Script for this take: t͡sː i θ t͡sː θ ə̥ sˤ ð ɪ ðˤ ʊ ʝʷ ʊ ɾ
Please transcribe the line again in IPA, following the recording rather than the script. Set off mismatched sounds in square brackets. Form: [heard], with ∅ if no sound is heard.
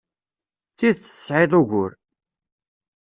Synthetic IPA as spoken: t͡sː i [ð] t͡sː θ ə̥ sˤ [ʕ] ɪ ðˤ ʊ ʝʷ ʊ ɾ